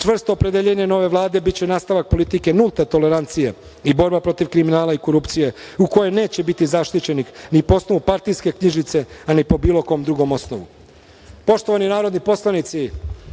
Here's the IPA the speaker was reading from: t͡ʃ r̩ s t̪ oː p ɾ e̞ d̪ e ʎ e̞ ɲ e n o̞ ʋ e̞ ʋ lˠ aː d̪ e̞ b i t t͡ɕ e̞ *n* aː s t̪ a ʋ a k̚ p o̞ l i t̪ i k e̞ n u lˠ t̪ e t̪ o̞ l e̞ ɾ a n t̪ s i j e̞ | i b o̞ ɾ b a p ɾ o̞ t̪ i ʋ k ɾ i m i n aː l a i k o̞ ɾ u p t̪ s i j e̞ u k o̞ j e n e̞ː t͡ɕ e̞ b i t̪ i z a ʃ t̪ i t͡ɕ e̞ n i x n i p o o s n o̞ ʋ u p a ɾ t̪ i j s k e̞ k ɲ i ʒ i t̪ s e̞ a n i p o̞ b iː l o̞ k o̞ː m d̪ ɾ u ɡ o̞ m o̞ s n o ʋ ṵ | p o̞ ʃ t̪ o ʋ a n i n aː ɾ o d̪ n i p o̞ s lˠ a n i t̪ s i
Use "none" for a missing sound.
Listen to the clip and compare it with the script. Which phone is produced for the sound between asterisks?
n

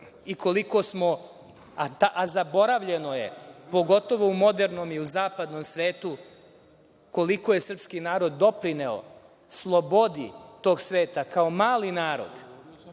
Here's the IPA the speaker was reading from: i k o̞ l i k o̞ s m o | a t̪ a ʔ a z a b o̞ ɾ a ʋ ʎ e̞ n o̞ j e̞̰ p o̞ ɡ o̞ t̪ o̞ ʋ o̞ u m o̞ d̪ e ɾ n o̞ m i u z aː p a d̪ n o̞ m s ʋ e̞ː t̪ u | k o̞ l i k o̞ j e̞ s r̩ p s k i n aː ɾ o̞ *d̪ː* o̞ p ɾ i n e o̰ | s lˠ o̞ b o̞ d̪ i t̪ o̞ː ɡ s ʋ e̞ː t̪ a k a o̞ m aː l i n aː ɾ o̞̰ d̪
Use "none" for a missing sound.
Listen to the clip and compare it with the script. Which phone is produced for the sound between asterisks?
d̪ː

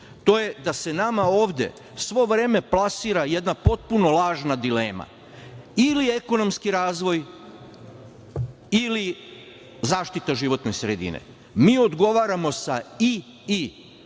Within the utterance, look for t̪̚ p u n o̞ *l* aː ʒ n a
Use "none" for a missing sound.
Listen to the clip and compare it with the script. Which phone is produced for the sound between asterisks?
l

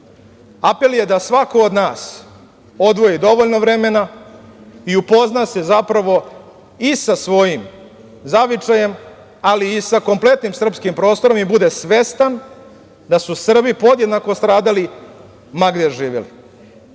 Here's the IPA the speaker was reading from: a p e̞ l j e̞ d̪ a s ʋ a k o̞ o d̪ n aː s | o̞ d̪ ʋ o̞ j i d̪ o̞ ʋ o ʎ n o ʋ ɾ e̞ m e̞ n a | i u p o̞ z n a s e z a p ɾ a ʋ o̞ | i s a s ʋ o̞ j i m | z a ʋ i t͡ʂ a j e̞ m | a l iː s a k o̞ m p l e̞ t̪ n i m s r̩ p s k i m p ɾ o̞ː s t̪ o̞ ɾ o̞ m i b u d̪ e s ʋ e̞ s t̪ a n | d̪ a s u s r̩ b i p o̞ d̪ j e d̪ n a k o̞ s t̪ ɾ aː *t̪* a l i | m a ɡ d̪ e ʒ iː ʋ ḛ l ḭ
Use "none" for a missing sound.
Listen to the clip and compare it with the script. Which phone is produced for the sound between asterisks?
d̪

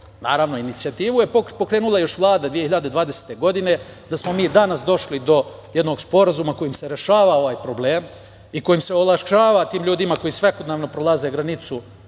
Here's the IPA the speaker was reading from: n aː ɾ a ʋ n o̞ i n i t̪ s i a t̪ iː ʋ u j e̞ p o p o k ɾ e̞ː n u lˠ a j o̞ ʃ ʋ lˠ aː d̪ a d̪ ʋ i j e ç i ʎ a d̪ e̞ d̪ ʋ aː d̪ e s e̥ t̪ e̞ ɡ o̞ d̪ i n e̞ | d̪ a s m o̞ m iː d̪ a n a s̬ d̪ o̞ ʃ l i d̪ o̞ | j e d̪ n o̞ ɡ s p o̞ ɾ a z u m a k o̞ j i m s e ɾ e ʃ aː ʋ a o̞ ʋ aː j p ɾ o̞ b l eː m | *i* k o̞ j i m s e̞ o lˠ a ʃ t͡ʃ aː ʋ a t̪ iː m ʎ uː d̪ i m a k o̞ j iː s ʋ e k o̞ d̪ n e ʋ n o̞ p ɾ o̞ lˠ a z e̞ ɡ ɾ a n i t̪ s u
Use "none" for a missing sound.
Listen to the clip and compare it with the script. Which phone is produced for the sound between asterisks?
i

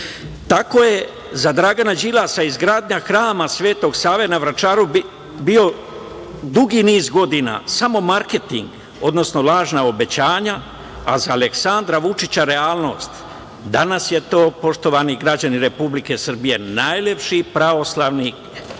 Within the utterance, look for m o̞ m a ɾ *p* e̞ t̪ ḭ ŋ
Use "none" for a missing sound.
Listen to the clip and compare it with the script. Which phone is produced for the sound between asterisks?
k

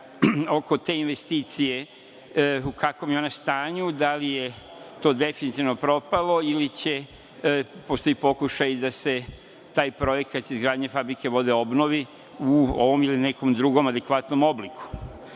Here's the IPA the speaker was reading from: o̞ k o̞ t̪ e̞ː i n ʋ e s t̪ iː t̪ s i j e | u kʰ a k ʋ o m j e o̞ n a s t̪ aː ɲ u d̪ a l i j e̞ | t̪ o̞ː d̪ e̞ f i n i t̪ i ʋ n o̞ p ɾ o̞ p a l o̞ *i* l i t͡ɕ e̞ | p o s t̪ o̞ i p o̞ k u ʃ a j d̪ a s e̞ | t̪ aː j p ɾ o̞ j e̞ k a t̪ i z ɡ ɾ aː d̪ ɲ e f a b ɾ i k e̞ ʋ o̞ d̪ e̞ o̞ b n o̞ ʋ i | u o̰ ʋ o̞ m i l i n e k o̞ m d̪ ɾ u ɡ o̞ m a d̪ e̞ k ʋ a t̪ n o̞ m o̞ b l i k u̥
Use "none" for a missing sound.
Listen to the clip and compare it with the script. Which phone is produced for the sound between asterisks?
i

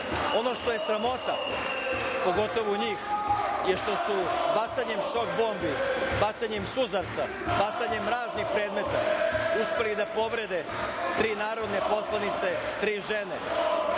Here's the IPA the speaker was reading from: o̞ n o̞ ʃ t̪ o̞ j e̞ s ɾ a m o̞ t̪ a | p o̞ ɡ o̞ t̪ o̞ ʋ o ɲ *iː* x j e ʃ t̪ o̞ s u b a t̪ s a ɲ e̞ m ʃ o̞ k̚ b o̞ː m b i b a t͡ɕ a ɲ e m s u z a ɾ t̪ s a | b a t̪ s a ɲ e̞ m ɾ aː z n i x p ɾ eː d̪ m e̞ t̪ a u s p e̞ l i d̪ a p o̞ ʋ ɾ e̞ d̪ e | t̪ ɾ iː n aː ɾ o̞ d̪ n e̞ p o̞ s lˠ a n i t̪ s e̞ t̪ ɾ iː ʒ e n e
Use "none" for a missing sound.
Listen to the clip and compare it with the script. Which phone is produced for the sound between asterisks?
iː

